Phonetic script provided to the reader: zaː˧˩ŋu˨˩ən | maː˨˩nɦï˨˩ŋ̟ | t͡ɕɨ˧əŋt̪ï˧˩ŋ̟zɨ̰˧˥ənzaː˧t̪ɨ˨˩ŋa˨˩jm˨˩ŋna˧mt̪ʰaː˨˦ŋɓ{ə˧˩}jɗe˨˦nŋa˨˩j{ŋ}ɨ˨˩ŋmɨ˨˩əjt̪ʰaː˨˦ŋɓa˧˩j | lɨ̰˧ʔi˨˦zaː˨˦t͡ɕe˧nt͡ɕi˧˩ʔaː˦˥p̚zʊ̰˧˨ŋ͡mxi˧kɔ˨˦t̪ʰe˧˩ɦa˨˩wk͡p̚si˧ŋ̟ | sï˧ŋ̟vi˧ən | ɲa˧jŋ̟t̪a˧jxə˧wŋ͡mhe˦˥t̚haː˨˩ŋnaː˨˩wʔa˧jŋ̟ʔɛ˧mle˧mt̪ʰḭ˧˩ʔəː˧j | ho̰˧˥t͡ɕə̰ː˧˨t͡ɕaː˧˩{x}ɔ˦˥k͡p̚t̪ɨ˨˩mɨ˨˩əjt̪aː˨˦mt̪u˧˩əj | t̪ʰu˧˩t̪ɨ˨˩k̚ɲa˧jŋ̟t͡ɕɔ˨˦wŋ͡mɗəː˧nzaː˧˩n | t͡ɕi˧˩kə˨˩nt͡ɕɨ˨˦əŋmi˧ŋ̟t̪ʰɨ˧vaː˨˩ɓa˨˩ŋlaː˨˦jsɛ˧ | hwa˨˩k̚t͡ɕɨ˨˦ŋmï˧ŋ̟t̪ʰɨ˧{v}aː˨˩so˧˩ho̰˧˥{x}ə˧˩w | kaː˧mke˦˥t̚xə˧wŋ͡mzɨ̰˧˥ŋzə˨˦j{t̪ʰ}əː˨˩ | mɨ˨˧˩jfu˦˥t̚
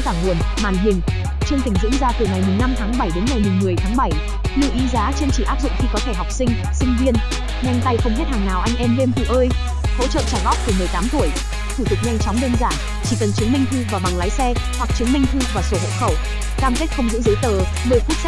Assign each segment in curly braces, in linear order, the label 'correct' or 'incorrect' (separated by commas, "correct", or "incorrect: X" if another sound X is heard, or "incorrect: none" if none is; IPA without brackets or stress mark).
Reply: incorrect: a˧˩, incorrect: m, incorrect: ɣ, correct, correct, incorrect: t̪